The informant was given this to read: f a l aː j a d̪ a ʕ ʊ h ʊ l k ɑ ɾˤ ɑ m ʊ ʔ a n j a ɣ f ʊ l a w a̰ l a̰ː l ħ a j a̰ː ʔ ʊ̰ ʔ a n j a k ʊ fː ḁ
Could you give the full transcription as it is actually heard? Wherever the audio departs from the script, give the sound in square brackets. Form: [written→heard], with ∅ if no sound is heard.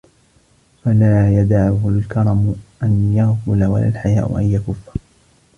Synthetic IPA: f a l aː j a d̪ a ʕ ʊ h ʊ l k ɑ ɾˤ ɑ m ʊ ʔ a n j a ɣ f ʊ l a w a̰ l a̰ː l ħ a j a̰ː ʔ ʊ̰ ʔ a n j a k ʊ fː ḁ